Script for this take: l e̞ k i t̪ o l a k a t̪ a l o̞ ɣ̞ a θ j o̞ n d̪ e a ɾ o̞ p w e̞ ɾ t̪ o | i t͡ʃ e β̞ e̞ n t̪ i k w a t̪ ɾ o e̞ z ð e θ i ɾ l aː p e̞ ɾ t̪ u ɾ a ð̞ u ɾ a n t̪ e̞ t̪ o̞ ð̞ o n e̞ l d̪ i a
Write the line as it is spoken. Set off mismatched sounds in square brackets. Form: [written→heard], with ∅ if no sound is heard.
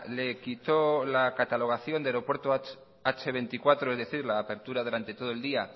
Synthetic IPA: l e̞ k i t̪ o l a k a t̪ a l o̞ ɣ̞ a θ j o̞ n d̪ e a ɾ o̞ p w e̞ ɾ t̪ o | [i→a] t͡ʃ e β̞ e̞ n t̪ i k w a t̪ ɾ o e̞ z ð e θ i ɾ l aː p e̞ ɾ t̪ u ɾ a ð̞ u ɾ a n t̪ e̞ t̪ o̞ ð̞ o [n→∅] e̞ l d̪ i a